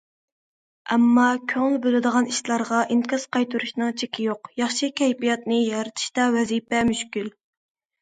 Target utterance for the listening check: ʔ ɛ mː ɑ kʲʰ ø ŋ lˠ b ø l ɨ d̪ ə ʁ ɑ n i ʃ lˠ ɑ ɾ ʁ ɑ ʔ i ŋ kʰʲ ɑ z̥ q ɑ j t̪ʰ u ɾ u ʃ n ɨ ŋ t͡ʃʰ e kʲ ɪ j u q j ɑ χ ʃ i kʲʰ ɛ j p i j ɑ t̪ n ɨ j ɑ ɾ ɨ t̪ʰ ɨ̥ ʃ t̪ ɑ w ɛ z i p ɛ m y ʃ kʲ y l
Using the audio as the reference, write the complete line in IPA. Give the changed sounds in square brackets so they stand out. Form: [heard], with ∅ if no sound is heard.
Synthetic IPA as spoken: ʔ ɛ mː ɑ kʲʰ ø ŋ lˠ b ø l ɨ d̪ ə ʁ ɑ n i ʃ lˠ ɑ ɾ ʁ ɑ ʔ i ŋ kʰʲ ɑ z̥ q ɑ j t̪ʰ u ɾ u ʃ n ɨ ŋ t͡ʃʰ e kʲ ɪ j [o] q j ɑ χ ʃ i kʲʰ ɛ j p i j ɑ t̪ n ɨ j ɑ ɾ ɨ t̪ʰ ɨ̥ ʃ t̪ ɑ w ɛ z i p ɛ m y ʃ kʲ y l